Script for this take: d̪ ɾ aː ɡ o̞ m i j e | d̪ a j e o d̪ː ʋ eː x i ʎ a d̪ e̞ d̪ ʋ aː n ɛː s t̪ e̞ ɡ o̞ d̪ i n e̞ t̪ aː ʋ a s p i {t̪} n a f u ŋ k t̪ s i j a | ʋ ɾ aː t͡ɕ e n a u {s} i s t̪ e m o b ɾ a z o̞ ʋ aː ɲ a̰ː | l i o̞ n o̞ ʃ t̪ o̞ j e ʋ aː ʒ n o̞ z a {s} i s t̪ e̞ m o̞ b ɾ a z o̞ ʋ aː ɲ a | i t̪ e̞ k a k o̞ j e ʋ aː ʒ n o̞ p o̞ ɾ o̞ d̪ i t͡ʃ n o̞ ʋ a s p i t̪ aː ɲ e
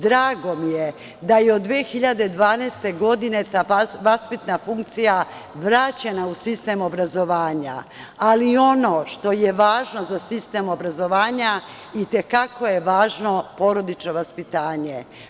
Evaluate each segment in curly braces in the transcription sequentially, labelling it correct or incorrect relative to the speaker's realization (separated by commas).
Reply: correct, correct, correct